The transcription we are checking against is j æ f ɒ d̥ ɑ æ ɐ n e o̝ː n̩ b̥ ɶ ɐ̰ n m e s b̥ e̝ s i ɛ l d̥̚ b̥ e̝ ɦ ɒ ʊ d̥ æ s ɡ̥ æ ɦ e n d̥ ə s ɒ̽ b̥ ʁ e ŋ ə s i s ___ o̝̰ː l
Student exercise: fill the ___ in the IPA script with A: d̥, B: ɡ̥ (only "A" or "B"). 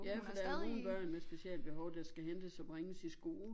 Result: B